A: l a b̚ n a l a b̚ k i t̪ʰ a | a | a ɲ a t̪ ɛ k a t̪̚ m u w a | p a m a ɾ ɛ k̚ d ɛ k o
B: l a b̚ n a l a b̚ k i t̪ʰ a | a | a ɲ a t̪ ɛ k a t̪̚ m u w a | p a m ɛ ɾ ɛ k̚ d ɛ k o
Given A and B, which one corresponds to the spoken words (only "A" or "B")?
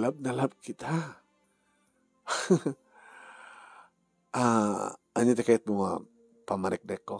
A